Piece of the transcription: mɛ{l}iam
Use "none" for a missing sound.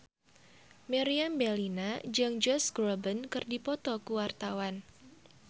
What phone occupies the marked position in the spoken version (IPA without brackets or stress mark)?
ɾ